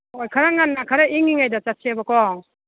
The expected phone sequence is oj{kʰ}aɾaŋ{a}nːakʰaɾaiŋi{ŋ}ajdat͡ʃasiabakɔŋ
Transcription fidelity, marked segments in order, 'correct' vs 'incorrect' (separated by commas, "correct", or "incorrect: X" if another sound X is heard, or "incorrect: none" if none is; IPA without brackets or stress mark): correct, correct, correct